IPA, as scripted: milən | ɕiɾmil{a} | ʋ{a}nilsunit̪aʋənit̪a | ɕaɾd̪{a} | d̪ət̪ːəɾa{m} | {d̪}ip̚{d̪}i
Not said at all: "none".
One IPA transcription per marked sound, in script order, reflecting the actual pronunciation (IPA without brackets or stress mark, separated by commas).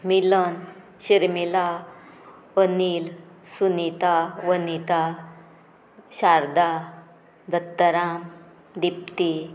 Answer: a, ə, a, m, d̪, t̪